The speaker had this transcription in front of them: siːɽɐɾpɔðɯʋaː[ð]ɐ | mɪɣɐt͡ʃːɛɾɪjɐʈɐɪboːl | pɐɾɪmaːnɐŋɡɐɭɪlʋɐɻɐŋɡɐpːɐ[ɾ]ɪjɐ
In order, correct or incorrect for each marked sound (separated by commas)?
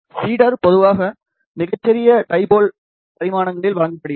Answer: incorrect, incorrect